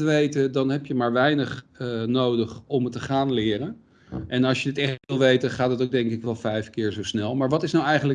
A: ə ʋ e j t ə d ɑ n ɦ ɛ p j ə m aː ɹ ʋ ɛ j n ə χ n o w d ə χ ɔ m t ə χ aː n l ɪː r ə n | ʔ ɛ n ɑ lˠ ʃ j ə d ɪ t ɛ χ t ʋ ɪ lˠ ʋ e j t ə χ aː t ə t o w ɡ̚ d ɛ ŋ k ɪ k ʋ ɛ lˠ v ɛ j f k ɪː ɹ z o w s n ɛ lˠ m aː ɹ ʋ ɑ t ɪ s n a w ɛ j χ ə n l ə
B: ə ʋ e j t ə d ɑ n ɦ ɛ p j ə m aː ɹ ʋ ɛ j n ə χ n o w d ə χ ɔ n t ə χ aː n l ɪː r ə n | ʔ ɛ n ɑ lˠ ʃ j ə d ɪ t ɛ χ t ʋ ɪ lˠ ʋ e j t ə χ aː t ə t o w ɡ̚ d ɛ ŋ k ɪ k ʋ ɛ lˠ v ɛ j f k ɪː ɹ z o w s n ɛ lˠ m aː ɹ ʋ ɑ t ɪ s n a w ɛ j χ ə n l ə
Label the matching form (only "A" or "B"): A